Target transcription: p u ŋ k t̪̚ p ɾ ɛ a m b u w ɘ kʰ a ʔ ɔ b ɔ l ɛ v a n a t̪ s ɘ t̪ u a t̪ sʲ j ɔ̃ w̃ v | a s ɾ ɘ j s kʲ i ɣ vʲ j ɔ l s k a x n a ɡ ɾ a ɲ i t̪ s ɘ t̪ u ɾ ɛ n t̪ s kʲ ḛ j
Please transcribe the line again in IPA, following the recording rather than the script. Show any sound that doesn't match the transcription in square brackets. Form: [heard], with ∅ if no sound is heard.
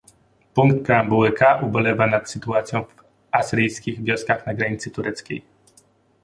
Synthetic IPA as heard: p u ŋ k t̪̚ p ɾ ɛ a m b u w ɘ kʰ a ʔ [u] b ɔ l ɛ v a n a t̪ s ɘ t̪ u a t̪ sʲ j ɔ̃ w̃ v | a s ɾ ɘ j s kʲ i ɣ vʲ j ɔ [∅] s k a x n a ɡ ɾ a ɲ i t̪ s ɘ t̪ u ɾ ɛ [∅] t̪ s kʲ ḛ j